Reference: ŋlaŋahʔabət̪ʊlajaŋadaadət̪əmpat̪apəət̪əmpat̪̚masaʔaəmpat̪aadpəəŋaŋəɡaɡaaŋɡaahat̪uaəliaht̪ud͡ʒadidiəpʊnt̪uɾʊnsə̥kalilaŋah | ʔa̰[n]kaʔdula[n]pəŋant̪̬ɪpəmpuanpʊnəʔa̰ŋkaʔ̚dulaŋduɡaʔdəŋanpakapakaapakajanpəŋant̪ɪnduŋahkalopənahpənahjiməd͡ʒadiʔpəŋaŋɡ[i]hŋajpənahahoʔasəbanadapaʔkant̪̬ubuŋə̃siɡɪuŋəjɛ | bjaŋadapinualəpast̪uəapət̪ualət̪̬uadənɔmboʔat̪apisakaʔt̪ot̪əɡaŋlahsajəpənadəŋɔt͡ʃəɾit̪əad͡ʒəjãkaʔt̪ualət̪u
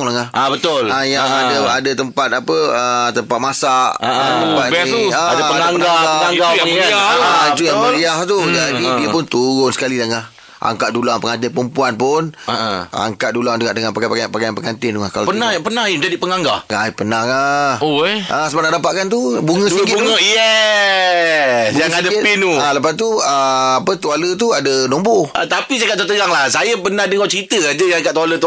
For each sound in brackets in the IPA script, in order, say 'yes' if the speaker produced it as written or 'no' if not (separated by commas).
no, no, no